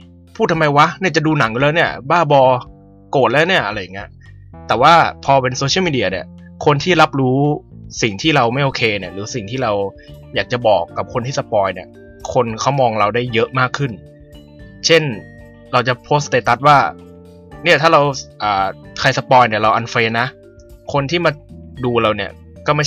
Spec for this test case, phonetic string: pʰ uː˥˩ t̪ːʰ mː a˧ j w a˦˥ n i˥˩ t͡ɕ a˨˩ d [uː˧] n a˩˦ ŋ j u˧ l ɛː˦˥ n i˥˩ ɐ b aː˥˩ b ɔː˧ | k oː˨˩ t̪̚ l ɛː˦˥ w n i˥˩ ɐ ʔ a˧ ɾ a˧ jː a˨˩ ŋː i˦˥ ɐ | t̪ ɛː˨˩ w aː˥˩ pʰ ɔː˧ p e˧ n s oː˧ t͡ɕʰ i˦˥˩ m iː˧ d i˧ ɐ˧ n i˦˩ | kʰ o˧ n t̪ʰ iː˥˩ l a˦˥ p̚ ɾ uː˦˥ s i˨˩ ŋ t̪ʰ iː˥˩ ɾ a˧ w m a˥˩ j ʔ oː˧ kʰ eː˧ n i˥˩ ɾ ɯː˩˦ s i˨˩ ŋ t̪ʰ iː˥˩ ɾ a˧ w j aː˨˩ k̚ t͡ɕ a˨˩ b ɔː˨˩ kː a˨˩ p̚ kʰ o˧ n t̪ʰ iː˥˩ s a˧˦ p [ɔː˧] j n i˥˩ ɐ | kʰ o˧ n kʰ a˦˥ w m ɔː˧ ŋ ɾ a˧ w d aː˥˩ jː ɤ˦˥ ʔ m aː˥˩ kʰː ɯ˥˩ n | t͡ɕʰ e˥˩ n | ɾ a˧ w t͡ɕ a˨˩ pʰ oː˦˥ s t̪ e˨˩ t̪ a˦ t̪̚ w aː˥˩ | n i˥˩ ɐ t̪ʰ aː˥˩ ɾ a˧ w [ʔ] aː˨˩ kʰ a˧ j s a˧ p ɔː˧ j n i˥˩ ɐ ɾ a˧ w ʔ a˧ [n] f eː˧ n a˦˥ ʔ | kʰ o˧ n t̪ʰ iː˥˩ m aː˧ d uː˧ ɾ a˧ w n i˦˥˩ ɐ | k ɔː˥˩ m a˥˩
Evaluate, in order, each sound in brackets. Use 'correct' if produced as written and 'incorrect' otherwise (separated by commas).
correct, correct, correct, correct